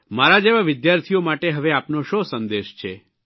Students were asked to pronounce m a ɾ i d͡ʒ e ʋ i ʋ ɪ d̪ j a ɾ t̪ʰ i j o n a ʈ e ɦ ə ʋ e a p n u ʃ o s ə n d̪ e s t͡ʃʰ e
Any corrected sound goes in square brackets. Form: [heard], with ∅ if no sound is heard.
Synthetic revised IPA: m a ɾ [a] d͡ʒ e ʋ [a] ʋ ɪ d̪ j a ɾ t̪ʰ i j o [m] a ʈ e ɦ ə ʋ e a p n [o] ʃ o s ə n d̪ e [ʃ] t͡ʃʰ e